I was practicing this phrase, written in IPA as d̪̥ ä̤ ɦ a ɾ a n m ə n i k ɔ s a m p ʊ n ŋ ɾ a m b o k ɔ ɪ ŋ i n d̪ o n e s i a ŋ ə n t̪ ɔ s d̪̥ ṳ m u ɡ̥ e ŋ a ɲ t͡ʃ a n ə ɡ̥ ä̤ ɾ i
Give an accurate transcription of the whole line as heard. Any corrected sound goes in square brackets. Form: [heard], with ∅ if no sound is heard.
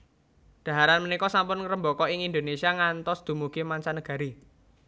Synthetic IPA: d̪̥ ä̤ ɦ a ɾ a n m ə n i k ɔ s a m p ʊ n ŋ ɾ [ə] m b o k ɔ ɪ ŋ i n d̪ o n e s i a ŋ [a] n t̪ ɔ s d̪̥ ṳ m u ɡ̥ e [m] a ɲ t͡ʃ a n ə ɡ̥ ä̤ ɾ i